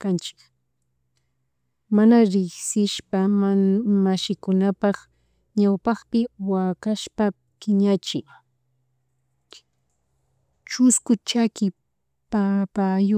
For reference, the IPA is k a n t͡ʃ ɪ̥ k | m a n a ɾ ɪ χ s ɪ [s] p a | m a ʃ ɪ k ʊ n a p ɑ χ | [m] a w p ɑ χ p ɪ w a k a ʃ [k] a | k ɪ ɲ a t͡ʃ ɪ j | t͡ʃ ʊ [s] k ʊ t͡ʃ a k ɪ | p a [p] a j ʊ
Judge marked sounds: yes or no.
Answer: no, no, no, yes, yes

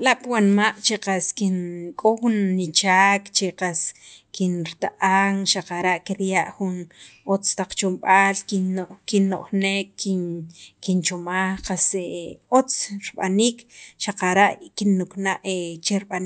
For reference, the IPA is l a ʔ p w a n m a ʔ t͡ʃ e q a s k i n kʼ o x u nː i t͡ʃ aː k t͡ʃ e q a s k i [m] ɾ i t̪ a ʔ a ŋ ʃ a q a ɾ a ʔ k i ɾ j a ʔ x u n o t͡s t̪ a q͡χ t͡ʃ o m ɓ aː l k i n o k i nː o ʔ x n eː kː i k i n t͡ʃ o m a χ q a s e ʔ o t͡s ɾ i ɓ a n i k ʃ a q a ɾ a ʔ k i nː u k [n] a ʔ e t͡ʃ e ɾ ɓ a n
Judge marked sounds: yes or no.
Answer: no, yes

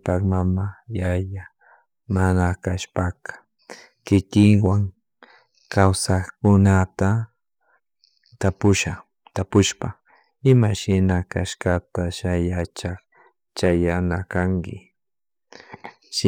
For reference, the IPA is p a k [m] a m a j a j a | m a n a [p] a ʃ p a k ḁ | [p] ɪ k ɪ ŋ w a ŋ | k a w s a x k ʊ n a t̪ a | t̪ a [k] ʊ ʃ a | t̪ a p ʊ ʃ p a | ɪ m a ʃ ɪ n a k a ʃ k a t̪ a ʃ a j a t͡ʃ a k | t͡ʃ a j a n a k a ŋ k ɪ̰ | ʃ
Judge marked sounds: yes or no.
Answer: yes, no, no, no

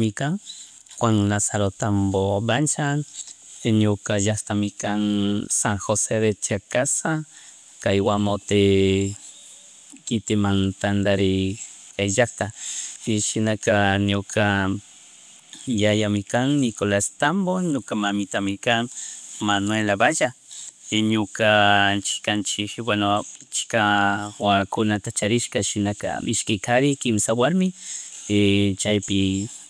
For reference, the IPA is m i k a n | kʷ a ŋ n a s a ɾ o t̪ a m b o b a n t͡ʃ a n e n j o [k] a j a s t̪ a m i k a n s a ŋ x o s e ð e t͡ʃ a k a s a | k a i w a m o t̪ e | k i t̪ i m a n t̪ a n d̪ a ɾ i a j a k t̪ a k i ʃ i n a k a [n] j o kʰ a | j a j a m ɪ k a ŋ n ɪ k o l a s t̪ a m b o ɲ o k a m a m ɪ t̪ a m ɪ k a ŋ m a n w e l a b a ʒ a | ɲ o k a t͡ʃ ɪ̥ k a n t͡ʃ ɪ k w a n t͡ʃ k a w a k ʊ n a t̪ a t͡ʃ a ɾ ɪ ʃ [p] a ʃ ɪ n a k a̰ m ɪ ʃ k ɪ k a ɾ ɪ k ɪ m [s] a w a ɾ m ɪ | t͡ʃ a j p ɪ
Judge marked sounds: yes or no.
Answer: yes, yes, no, yes

